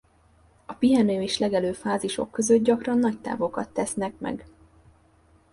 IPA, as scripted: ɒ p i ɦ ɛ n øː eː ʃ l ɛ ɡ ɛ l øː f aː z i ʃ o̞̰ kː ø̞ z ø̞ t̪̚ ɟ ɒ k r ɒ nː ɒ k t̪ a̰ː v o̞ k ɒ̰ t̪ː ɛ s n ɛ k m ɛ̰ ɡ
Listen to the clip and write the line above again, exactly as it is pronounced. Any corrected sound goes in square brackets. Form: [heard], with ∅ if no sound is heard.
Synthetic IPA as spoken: ɒ p i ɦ ɛ n øː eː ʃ l ɛ ɡ ɛ l øː f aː z i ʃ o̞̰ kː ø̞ z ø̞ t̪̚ ɟ ɒ k r ɒ nː ɒ [c] t̪ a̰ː v o̞ k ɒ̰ t̪ː ɛ s n ɛ k m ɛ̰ ɡ